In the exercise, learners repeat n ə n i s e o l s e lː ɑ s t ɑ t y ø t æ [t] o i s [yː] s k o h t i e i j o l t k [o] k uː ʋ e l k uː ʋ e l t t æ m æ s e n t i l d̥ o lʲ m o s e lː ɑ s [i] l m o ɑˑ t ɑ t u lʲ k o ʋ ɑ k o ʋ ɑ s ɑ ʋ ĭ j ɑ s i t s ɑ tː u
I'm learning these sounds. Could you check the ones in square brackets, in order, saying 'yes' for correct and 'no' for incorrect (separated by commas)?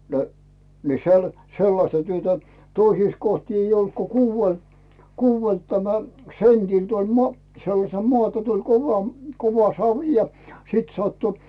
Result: yes, no, yes, no